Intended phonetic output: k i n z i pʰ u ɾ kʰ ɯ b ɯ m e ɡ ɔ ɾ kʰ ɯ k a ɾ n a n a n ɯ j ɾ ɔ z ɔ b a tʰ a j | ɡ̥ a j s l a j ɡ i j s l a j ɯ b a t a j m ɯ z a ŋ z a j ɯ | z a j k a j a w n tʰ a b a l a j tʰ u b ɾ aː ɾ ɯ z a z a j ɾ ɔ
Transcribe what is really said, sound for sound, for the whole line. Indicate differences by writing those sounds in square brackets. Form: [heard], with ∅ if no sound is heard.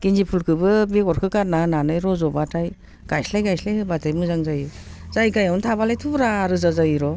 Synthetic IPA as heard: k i n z i pʰ u [l] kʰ ɯ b ɯ [b] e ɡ ɔ ɾ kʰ ɯ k a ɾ n a n a n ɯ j ɾ ɔ z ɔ b a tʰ a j | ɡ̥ a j s l a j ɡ [a] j s l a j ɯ b a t a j m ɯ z a ŋ z a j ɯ | z a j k a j a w n tʰ a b a l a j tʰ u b ɾ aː ɾ ɯ z a z a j ɾ ɔ